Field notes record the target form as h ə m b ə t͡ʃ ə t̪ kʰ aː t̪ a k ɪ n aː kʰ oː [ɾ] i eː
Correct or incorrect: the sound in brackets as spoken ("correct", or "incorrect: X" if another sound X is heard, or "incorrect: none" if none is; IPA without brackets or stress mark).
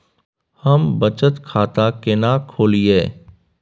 incorrect: l